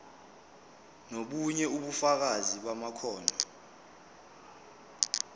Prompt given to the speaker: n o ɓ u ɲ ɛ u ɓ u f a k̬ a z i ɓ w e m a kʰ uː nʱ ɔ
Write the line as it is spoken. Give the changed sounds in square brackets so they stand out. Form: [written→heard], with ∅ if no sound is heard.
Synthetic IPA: n o ɓ u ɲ ɛ u ɓ u f a k̬ a z i ɓ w [e→a] m a kʰ [uː→ɔː] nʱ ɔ